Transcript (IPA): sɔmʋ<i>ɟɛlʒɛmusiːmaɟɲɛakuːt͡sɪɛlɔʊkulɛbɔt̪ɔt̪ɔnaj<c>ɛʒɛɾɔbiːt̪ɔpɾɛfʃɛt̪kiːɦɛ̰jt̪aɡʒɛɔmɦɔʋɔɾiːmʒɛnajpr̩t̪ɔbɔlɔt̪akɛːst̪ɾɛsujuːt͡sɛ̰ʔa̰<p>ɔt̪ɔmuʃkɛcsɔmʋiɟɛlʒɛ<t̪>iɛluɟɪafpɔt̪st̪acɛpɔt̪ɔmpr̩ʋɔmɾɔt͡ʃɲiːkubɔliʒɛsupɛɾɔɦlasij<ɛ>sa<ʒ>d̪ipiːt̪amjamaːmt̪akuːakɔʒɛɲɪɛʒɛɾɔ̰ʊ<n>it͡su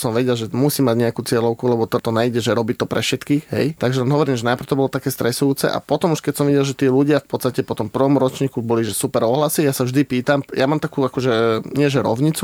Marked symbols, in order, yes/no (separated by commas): no, no, yes, yes, no, yes, no